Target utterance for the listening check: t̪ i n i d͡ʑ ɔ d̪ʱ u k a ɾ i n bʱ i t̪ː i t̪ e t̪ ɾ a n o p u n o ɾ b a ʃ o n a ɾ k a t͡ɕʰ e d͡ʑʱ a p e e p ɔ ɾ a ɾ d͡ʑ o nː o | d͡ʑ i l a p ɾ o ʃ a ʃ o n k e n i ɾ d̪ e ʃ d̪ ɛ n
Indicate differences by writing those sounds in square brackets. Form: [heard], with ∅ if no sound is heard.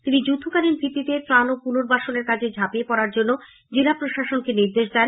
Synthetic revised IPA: t̪ i n i d͡ʑ [u] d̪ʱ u k a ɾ i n bʱ i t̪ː i t̪ e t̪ ɾ a n o p u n o ɾ b a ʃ o n [e] ɾ k a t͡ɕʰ e d͡ʑʱ a p [i] e p ɔ ɾ a ɾ d͡ʑ o nː o | d͡ʑ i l a p ɾ o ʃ a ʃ o n k e n i ɾ d̪ e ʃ d̪ ɛ n